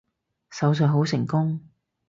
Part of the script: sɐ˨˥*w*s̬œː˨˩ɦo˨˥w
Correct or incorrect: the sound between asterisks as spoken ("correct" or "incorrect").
correct